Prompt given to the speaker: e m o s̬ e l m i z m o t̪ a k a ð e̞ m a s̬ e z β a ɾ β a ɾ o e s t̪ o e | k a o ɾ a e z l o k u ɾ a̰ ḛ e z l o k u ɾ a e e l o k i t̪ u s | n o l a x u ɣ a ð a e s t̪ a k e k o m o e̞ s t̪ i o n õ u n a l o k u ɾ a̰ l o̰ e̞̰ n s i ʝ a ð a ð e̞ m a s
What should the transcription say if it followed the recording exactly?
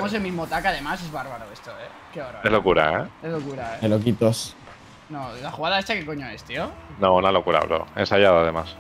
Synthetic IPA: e m o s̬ e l m i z m o t̪ a k a ð e̞ m a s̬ e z β a ɾ β a ɾ o e s t̪ o e | k e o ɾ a e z l o k u ɾ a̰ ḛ e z l o k u ɾ a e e l o k i t̪ o s | n o l a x u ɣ a ð a e s t̪ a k e k o ɲ o e̞ s t̪ i o n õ u n a l o k u ɾ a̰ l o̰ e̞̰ n s a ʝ a ð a ð e̞ m a s

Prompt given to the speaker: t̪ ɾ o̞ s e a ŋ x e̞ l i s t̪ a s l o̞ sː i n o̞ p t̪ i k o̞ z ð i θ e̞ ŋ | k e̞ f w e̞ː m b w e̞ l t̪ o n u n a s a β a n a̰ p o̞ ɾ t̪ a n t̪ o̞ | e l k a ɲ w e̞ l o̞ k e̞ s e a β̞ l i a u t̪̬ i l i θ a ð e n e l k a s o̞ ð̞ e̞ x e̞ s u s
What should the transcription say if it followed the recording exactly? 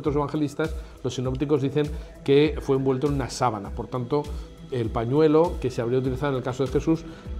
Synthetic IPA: t̪ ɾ o̞ s e a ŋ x e̞ l i s t̪ a s l o̞ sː i n o̞ p t̪ i k o̞ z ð i θ e̞ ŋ | k e̞ f w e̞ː m b w e̞ l t̪ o n u n a s a β a n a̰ p o̞ ɾ t̪ a n t̪ o̞ | e l p a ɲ w e̞ l o̞ k e̞ s e a β̞ ɾ i a u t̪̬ i l i θ a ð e n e l k a s o̞ ð̞ e̞ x e̞ s u s

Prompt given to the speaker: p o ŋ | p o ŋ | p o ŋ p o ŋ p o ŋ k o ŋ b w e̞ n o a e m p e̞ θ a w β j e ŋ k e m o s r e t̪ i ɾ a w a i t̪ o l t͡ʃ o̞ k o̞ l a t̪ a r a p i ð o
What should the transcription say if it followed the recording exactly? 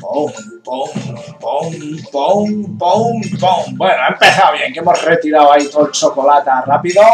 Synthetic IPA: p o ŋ | p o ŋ | p o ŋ p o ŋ p o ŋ p o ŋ b w e̞ n o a e m p e̞ θ a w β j e ŋ k e m o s r e t̪ i ɾ a w a i t̪ o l t͡ʃ o̞ k o̞ l a t̪ a r a p i ð o

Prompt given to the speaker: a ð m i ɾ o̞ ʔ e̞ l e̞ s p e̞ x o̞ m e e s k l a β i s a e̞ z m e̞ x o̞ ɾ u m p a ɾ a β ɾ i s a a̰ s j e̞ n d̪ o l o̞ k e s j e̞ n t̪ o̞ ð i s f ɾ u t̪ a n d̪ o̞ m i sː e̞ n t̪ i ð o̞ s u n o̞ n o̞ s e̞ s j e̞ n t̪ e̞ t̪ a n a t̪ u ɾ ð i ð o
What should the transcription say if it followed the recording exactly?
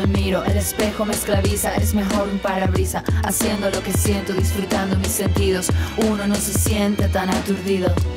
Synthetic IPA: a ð m i ɾ o̞ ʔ e̞ l e̞ s p e̞ x o̞ m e e s k l a β i s a e̞ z m e̞ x o̞ ɾ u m p a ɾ a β ɾ i s a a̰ s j e̞ n d̪ o l o̞ k e s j e̞ n t̪ o̞ ð i s f ɾ u t̪ a n d̪ o̞ m i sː e̞ n t̪ i ð o̞ s u n o̞ n o̞ s e̞ s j e̞ n t̪ e̞ t̪ a n a t̪ u ɾ ð i ð o

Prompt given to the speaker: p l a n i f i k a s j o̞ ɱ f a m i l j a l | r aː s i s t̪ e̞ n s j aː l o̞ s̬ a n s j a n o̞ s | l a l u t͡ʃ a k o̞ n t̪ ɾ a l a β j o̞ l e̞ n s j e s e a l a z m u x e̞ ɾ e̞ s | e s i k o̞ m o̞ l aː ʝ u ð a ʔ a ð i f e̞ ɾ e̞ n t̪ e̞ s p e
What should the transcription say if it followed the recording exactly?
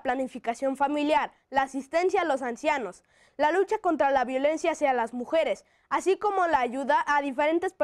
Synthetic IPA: p l a n i f i k a s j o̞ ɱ f a m i l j a ɾ | l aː s i s t̪ e̞ n s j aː l o̞ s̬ a n s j a n o̞ s | l a l u t͡ʃ a k o̞ n t̪ ɾ a l a β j o̞ l e̞ n s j a s e a l a z m u x e̞ ɾ e̞ s | a s i k o̞ m o̞ l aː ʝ u ð a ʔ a ð i f e̞ ɾ e̞ n t̪ e̞ s p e

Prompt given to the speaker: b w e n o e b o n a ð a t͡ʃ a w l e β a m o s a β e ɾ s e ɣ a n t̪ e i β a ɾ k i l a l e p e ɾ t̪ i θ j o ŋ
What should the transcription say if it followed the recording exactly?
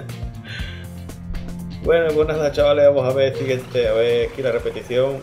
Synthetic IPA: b w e n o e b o n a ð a t͡ʃ a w l e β a m o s a β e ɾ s i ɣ e n t̪ e a β e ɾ k i l a r e p e t̪ i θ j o ŋ

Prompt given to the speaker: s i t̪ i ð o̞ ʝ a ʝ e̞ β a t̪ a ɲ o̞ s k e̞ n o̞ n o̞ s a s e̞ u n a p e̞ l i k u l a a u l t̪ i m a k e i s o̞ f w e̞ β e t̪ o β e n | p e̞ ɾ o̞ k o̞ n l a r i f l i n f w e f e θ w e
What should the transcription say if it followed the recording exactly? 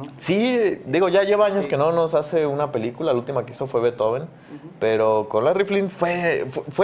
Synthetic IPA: s i d̪ i ɣ o̞ ʝ a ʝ e̞ β a a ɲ o̞ s k e̞ n o̞ n o̞ s a s e̞ u n a p e̞ l i k u l a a u l t̪ i m a k e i s o̞ f w e̞ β e t̪ o β e n | p e̞ ɾ o̞ k o̞ n l a r i f l i n f w e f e f w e

